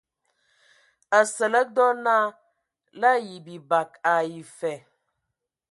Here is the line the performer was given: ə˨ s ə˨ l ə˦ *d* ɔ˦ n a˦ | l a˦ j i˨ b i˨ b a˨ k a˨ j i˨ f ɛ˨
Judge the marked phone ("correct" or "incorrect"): correct